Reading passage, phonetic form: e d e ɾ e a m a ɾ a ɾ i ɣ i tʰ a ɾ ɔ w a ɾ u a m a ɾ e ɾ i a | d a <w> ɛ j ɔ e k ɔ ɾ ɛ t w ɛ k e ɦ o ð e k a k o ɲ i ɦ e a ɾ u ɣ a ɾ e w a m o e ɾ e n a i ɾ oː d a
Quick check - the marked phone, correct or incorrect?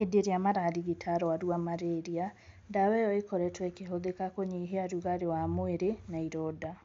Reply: correct